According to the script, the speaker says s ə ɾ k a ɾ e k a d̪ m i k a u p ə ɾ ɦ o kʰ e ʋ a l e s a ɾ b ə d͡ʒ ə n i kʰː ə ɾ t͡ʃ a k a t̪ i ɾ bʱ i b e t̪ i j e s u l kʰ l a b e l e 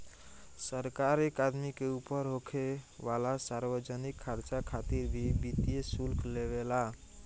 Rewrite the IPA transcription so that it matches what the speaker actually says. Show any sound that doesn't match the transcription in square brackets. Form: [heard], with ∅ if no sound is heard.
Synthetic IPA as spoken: s ə ɾ k a ɾ e k a d̪ m i k [e] u p ə ɾ ɦ o kʰ e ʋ a l [a] s a ɾ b ə d͡ʒ ə n i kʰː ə ɾ t͡ʃ a [kʰ] a t̪ i ɾ bʱ i b [i] t̪ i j e s u l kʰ l [e] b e l [a]